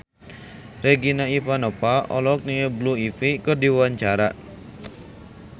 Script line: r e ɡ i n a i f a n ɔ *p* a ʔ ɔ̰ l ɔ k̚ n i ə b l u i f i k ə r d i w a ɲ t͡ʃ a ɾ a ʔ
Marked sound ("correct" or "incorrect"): correct